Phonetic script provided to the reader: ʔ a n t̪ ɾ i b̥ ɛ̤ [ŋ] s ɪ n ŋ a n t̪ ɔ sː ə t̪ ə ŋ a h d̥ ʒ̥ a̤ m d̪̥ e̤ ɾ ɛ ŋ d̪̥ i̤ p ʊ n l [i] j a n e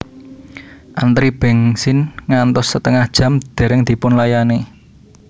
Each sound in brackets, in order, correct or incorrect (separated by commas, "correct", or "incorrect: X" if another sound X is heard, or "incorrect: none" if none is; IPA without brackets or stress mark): correct, incorrect: a